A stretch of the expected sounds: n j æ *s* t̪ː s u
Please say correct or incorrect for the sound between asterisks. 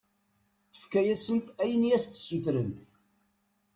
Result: correct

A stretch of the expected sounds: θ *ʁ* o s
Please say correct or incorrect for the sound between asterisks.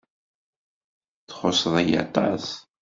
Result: incorrect: χ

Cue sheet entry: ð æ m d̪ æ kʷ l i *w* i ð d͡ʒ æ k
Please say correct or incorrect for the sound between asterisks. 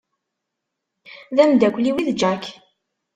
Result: correct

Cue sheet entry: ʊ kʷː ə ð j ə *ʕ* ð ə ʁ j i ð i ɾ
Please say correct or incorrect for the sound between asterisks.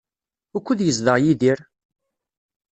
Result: incorrect: z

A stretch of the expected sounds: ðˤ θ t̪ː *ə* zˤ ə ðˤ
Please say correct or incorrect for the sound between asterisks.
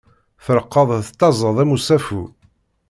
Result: incorrect: ɑ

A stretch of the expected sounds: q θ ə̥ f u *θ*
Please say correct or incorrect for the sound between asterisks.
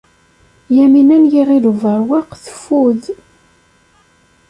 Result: incorrect: ð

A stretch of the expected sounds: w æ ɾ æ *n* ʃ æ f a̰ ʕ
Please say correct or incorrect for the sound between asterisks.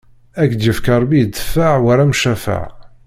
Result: incorrect: m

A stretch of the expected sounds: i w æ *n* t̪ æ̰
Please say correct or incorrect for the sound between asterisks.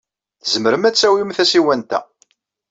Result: correct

